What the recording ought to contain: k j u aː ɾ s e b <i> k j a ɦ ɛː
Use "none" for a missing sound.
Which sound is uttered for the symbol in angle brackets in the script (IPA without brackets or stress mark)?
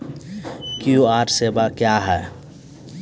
a